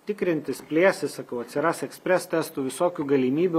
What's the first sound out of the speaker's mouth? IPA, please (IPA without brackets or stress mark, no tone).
t̪ʲ